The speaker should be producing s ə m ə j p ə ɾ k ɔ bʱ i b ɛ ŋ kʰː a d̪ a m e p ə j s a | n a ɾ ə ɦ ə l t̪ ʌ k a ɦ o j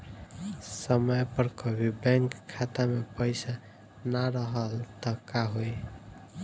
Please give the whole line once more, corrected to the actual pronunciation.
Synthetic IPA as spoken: s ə m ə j p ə ɾ k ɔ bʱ i b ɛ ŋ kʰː a t̪ a m e p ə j s a | n a ɾ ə ɦ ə l t̪ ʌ k a ɦ o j